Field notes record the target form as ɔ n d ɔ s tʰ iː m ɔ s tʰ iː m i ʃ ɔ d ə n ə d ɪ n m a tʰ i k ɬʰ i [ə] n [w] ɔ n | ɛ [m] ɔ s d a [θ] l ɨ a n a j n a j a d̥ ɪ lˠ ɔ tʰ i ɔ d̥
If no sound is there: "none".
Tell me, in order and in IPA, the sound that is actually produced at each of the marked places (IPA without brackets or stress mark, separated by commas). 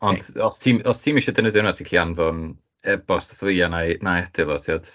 a, v, b, θ